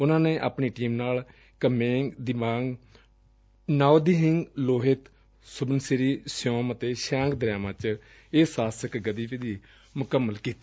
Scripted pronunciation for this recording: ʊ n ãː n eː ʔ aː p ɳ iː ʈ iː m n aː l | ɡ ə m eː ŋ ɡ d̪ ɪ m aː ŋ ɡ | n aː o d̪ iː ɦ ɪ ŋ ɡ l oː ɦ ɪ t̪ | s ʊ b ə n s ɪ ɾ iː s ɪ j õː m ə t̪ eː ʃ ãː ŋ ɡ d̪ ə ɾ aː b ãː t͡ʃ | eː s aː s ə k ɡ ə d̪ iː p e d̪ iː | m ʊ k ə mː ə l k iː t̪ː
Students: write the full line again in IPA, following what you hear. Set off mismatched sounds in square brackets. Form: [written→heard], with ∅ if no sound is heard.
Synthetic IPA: ʊ n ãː n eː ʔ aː p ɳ iː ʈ iː m n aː l | [ɡ→k] ə m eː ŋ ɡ d̪ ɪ m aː ŋ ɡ | n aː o d̪ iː ɦ ɪ ŋ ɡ l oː ɦ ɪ t̪ | s ʊ b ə n s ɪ ɾ iː s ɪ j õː m ə t̪ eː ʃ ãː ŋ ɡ d̪ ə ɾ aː [b→m] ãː t͡ʃ | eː s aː s ə k ɡ ə d̪ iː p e d̪ iː | m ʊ k ə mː ə l k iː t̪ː